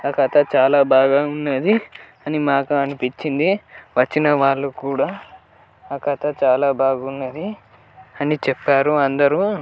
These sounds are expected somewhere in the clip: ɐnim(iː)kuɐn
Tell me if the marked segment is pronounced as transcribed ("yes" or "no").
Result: no